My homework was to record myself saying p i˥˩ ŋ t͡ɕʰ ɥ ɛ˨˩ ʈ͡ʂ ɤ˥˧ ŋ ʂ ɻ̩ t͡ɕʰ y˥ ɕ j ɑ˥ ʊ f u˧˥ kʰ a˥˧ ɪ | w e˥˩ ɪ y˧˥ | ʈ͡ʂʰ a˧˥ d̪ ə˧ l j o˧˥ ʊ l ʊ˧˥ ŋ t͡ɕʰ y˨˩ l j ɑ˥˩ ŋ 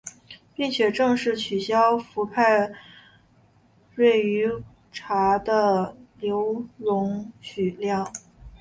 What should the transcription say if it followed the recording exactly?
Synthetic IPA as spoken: p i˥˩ ŋ t͡ɕʰ ɥ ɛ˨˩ ʈ͡ʂ ɤ˥˧ ŋ ʂ ɻ̩ t͡ɕʰ y˨˩ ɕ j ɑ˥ ʊ f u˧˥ pʰ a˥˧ ɪ | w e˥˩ ɪ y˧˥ | ʈ͡ʂʰ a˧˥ d̪ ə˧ l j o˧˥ ʊ l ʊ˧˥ ŋ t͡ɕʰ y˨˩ l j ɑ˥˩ ŋ